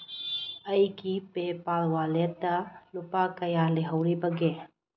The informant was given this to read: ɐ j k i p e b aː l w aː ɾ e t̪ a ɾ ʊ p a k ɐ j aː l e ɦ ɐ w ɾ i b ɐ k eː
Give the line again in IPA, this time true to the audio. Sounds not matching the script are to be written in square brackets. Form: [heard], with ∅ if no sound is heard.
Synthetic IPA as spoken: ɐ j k i p e [p] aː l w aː [l] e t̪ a [l] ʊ p a k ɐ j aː l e ɦ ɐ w ɾ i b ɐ [ɡ] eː